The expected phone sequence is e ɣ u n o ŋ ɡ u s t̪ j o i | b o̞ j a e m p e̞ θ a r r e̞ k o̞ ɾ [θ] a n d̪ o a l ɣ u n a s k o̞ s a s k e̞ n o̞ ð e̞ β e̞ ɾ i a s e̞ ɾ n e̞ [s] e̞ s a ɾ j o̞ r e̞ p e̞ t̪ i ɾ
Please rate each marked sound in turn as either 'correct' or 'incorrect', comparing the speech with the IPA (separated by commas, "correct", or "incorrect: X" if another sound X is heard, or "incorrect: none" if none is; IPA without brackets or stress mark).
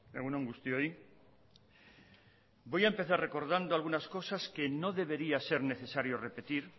incorrect: ð, incorrect: θ